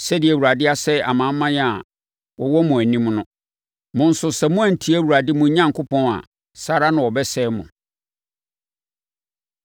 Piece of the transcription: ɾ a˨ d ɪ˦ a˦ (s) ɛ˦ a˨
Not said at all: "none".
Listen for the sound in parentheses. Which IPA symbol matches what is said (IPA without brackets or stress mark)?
s